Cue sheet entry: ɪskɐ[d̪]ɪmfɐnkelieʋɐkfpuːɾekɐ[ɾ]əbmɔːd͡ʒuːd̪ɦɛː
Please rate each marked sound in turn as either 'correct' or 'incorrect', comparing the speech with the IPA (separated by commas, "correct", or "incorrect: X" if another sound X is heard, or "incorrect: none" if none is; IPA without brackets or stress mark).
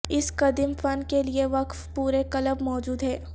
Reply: correct, incorrect: l